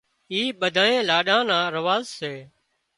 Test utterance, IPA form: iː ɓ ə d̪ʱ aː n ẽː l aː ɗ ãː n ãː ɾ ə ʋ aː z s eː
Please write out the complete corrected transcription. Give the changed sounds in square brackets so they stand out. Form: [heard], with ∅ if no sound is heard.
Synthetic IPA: iː ɓ ə d̪ʱ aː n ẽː l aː ɗ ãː n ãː ɾ ə ʋ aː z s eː